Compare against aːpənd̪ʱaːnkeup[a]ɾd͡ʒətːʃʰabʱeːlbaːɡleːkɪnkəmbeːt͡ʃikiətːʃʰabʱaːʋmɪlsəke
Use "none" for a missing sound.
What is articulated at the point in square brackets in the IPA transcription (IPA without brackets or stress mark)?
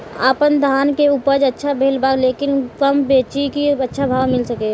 ə